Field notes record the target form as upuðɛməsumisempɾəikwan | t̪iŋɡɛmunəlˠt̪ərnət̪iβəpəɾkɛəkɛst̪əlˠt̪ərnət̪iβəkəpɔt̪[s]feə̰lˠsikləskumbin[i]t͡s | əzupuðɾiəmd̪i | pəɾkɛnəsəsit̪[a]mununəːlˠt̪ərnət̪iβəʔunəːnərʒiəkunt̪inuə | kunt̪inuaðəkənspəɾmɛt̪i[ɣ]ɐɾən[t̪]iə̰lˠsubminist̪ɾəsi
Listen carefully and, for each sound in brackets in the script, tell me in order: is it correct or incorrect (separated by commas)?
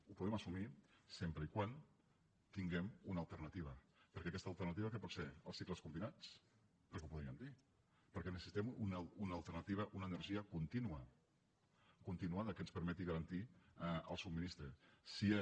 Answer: correct, incorrect, incorrect, correct, correct